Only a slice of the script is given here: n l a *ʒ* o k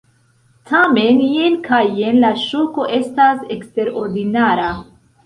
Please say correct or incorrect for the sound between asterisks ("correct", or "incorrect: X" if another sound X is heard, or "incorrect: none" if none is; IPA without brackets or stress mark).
incorrect: ʃ